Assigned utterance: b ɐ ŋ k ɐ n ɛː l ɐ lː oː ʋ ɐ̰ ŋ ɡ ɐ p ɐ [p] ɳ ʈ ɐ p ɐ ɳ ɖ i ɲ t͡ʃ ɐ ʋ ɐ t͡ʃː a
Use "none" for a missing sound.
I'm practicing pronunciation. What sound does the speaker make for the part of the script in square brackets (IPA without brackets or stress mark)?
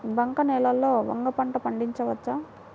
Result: none